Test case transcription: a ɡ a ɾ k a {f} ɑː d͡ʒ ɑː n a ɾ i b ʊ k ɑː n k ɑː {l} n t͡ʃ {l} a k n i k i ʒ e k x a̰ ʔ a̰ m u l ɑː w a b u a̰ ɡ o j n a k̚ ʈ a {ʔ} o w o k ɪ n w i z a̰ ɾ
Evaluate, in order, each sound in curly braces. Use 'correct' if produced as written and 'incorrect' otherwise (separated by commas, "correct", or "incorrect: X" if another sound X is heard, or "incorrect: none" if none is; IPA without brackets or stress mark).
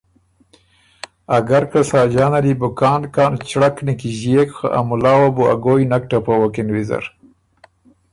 incorrect: s, incorrect: none, incorrect: ɽ, incorrect: p